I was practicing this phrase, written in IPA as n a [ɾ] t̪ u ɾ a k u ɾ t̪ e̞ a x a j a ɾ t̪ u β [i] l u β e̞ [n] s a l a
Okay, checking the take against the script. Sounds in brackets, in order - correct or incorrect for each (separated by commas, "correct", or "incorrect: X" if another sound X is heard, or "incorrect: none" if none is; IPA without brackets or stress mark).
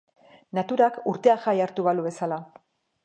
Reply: incorrect: none, incorrect: a, incorrect: none